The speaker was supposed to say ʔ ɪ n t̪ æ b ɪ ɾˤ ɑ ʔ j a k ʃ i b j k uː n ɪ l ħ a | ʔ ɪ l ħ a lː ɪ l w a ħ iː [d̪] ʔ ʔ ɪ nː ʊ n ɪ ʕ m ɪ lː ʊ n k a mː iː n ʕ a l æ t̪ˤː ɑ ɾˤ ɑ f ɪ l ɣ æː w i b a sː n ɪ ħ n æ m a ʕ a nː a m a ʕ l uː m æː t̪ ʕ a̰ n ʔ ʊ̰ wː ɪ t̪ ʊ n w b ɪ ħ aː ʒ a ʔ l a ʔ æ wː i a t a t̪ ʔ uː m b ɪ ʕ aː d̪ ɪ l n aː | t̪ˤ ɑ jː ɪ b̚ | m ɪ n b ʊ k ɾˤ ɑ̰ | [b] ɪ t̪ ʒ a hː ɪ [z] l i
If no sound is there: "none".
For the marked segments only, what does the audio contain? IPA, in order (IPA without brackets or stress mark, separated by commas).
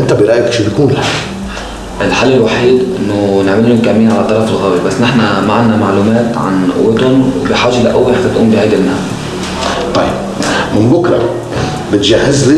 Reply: d̪, b, z